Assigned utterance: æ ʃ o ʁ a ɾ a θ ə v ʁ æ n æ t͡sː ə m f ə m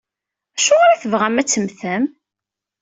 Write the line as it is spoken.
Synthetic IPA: æ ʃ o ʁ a ɾ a θ ə v ʁ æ m æ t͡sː ə m θ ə m